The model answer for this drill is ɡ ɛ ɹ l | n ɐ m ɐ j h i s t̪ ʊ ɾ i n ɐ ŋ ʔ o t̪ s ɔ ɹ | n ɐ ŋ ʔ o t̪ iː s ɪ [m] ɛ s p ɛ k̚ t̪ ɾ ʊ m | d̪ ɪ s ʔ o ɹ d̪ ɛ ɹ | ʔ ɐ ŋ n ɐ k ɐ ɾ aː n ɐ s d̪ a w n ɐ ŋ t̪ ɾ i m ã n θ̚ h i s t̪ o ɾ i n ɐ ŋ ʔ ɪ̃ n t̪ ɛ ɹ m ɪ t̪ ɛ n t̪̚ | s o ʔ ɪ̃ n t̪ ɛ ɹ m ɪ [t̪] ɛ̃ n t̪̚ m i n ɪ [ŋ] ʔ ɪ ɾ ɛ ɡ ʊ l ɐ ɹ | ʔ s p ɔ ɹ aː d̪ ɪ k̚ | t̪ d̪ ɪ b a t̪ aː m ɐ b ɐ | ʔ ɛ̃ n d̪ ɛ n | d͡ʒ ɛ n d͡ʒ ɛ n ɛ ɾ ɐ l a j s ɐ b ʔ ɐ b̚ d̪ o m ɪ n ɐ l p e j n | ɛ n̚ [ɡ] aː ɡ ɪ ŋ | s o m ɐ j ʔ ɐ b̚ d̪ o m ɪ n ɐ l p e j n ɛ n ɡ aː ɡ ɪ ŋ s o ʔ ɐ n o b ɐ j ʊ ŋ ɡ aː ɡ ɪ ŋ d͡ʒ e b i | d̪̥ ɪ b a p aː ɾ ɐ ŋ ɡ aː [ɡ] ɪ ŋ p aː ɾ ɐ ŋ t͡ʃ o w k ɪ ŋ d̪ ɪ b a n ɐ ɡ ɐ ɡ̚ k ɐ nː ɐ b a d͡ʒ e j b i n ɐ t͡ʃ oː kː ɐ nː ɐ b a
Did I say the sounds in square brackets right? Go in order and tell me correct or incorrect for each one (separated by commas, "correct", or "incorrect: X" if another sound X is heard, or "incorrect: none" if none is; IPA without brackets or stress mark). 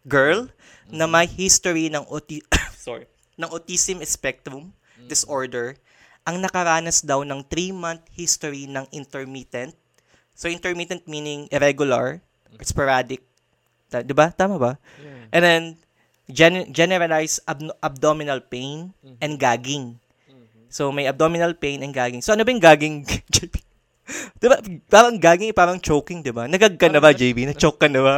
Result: correct, correct, correct, correct, correct